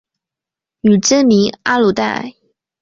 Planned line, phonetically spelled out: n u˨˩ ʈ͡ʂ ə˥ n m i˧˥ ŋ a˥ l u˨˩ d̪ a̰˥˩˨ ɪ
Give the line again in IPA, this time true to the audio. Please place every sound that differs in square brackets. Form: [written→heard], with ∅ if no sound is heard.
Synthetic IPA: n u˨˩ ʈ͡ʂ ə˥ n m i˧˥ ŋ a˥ l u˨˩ [d̪→t̪] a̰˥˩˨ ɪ